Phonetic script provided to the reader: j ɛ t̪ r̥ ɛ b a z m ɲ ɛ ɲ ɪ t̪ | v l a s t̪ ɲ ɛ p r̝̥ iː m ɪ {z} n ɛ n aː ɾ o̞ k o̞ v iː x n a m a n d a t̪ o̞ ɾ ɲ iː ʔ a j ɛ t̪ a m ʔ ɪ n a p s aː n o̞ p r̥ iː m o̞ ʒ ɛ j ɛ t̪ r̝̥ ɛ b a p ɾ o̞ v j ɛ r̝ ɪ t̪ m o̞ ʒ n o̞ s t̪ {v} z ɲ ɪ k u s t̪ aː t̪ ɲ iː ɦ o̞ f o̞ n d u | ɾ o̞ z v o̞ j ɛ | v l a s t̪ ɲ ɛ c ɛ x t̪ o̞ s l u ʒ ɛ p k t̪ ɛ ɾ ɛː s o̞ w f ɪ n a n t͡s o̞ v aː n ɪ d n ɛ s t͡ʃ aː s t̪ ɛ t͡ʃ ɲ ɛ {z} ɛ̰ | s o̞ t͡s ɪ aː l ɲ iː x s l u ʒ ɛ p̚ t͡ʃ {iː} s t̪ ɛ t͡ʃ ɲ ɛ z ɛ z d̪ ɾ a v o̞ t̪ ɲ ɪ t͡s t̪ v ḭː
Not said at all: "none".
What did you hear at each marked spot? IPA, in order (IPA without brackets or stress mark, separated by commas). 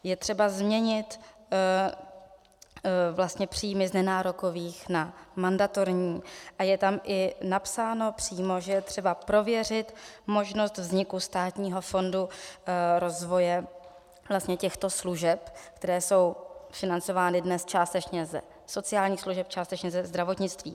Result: z, v, z, aː